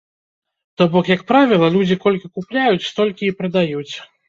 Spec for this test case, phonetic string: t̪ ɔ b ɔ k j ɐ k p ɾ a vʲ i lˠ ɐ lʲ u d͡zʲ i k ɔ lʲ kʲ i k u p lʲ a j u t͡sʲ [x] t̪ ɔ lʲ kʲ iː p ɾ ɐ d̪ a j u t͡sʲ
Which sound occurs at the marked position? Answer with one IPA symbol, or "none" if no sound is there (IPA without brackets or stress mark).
s